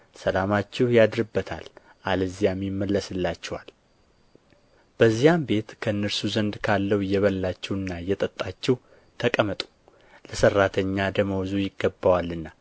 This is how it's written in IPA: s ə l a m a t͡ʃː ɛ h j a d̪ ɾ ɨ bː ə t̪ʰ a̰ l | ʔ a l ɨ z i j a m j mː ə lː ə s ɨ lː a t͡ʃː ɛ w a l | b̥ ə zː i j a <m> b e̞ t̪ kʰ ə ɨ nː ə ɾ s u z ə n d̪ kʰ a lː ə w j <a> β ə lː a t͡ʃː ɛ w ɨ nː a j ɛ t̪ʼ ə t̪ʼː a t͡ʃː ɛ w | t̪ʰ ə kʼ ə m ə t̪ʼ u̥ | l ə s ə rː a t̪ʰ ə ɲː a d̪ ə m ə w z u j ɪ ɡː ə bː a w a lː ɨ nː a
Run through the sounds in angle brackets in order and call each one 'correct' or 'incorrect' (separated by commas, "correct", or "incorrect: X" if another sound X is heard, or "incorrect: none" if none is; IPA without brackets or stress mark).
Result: correct, incorrect: ɛ